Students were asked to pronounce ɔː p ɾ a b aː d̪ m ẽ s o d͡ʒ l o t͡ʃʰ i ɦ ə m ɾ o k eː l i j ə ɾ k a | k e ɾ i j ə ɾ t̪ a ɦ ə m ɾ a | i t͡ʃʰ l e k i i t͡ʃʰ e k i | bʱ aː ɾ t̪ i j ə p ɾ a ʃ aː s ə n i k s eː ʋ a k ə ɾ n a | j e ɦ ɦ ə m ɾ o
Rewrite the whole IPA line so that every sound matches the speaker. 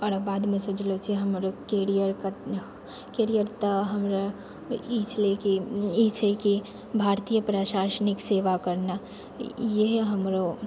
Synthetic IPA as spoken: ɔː ɾ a b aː d̪ m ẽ s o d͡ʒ l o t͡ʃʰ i ɦ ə m ɾ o k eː ɾ i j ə ɾ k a | k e ɾ i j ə ɾ t̪ a ɦ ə m ɾ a | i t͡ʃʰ l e k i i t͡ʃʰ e k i | bʱ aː ɾ t̪ i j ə p ɾ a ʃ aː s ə n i k s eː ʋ a k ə ɾ n a | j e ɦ ɦ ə m ɾ o